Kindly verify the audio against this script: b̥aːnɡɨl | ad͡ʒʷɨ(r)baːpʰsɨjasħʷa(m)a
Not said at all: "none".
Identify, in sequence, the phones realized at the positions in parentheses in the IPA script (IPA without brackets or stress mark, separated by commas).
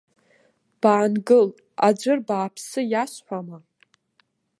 r, m